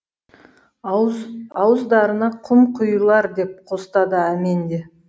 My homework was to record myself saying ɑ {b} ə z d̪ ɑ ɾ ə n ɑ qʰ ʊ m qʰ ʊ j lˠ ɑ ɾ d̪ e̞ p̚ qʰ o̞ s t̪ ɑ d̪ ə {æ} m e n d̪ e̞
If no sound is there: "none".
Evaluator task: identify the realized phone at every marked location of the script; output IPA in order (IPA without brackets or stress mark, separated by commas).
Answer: w, æ